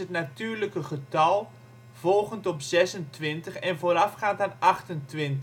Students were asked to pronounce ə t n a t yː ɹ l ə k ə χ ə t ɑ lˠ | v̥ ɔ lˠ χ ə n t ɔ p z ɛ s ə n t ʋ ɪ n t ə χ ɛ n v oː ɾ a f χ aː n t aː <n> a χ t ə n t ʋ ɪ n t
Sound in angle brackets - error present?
no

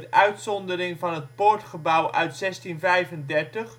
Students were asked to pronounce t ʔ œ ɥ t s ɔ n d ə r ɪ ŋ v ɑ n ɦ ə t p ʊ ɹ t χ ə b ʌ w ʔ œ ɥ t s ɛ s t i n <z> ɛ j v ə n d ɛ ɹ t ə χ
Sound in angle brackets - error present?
yes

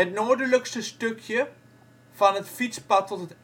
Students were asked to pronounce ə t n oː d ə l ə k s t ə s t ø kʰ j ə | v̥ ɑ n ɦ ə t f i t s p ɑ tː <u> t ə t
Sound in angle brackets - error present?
yes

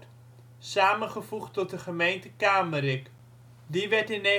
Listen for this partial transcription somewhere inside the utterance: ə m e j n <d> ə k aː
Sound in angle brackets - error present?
yes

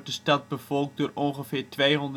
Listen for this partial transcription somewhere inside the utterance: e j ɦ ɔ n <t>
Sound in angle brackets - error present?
yes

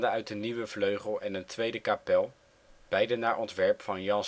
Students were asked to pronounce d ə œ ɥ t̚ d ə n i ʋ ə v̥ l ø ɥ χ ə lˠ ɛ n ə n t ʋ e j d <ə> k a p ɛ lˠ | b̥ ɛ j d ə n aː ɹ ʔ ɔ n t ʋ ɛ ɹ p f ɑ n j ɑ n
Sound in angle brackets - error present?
no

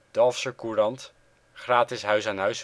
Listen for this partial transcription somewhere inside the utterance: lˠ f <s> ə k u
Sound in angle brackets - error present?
no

